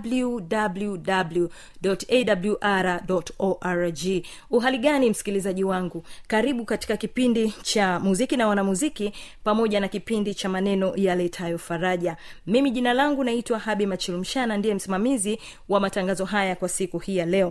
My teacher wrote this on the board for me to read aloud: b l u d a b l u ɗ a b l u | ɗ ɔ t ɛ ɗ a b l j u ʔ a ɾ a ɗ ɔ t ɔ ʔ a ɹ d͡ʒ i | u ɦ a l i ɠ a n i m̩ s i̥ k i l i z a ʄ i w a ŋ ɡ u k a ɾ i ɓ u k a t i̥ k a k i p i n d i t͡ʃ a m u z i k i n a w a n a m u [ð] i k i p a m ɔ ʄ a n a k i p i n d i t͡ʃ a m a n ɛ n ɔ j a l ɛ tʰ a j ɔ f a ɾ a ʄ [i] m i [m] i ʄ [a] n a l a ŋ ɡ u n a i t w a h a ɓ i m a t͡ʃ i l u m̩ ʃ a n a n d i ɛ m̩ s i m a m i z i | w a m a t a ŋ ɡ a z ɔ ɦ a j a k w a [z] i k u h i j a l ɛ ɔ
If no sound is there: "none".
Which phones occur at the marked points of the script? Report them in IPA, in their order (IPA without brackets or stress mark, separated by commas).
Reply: z, a, m, i, s